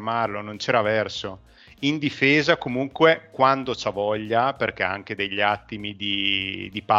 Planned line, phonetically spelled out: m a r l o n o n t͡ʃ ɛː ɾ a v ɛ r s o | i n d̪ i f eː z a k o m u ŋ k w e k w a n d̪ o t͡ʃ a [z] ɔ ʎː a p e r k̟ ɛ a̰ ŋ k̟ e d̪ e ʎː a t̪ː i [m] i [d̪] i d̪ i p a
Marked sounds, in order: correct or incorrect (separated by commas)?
incorrect, correct, correct